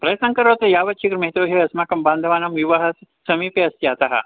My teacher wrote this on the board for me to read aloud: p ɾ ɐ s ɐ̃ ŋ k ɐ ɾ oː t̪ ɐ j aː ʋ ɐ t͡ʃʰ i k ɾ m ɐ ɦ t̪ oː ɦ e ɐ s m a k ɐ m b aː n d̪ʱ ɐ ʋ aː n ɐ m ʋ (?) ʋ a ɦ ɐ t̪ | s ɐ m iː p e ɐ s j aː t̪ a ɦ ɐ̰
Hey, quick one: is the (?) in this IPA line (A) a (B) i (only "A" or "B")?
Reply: B